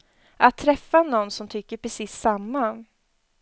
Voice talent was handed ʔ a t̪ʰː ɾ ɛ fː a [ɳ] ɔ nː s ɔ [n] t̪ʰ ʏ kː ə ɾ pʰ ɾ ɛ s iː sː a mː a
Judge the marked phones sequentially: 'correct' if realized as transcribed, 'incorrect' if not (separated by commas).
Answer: incorrect, incorrect